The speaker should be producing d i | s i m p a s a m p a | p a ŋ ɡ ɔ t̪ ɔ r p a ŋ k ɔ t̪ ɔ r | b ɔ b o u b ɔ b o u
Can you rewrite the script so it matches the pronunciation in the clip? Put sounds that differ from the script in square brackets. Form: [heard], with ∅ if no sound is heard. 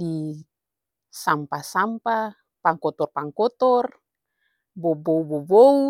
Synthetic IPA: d i | s [a] m p a s a m p a | p a ŋ [k] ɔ t̪ ɔ r p a ŋ k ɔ t̪ ɔ r | b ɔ b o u b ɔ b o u